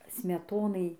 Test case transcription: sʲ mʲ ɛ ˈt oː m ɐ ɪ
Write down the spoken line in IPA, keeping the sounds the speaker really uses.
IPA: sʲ mʲ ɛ ˈt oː n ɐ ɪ